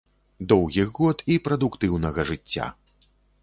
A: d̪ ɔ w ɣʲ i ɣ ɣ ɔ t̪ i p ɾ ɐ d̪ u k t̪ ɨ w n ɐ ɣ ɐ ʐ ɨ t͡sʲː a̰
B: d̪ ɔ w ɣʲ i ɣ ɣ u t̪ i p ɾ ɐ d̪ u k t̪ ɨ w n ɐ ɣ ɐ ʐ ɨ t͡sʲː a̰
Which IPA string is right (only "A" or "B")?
A